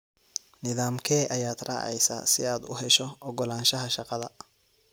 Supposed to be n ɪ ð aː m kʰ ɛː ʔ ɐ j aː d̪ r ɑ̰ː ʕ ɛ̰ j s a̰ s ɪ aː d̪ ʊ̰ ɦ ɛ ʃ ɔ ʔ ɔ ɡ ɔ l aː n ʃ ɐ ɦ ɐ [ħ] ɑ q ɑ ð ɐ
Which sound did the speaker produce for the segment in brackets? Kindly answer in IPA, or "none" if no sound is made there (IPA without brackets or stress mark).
ʃ